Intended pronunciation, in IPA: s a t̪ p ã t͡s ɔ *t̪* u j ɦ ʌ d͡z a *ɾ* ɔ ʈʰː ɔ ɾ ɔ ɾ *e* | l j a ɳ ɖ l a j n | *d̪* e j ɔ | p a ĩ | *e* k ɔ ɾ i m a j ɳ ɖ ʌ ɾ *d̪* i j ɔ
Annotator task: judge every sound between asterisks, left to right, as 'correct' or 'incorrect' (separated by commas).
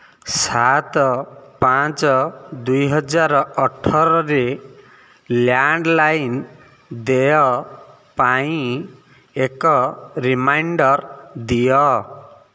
incorrect, correct, correct, correct, correct, correct